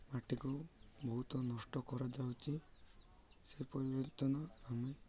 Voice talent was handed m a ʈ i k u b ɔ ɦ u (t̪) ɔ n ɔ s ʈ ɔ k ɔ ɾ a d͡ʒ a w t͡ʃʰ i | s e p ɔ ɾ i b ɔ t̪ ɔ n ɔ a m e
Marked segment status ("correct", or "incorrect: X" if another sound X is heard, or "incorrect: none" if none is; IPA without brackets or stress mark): correct